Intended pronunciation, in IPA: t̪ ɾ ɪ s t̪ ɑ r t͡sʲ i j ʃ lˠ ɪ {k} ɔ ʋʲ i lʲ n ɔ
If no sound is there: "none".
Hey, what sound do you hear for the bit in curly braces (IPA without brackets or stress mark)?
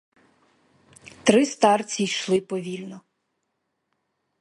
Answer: p